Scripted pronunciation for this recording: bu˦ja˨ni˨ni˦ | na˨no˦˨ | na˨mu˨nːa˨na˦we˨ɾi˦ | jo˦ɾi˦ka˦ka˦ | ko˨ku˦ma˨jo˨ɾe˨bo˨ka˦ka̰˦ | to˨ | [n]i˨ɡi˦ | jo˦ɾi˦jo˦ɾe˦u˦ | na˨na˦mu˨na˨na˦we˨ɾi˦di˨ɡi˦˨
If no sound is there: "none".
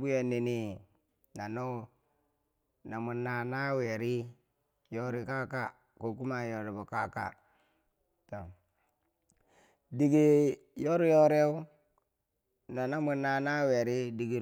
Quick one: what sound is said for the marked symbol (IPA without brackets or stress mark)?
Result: d